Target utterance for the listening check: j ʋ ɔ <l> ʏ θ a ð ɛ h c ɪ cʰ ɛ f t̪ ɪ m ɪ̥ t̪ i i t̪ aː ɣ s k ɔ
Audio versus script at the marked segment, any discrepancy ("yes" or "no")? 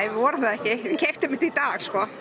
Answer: yes